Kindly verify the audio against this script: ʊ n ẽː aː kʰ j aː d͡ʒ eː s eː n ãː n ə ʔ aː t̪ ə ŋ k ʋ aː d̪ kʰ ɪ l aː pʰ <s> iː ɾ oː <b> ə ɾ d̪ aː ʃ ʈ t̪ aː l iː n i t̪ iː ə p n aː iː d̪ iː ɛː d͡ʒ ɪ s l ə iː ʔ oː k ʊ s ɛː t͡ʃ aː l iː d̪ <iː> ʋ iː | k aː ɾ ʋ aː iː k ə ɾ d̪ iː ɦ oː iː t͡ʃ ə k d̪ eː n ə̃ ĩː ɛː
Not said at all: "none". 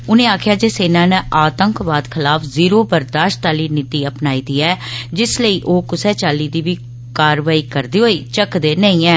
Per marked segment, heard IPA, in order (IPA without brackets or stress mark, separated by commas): z, b, iː